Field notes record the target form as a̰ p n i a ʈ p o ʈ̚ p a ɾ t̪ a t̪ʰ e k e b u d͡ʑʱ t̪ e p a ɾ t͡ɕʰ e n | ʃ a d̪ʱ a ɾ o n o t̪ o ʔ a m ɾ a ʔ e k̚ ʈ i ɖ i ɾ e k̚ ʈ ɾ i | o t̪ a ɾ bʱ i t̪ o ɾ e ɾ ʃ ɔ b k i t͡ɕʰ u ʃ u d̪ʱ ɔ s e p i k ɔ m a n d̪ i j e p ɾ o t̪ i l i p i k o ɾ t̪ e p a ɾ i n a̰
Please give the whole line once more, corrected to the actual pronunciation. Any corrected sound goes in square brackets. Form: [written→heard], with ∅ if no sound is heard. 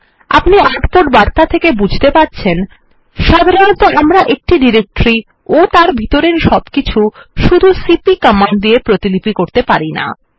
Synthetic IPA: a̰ p n i a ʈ p o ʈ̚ [p→b] a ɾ t̪ a t̪ʰ e k e b u d͡ʑʱ t̪ e p a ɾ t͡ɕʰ e n | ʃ a d̪ʱ a ɾ o n o t̪ o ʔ a m ɾ a ʔ e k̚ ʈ i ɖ i ɾ e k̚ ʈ ɾ i | o t̪ a ɾ bʱ i t̪ o ɾ e ɾ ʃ ɔ b k i t͡ɕʰ u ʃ u d̪ʱ [ɔ→u] s [e→i] p i k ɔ m a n d̪ i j e p ɾ o t̪ i l i p i k o ɾ t̪ e p a ɾ i n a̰